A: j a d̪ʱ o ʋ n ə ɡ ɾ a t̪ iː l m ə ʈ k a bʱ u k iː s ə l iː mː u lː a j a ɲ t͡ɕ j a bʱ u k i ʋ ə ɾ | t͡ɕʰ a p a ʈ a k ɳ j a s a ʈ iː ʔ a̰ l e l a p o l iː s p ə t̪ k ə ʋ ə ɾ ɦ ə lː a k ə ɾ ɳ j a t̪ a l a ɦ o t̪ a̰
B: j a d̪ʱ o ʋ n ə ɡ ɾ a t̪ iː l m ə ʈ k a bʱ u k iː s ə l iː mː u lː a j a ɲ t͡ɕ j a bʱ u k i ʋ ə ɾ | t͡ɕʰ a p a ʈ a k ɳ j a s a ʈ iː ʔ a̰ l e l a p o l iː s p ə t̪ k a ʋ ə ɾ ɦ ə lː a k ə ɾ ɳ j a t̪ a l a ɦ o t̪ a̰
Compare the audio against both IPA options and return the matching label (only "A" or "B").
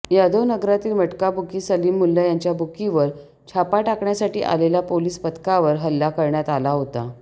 B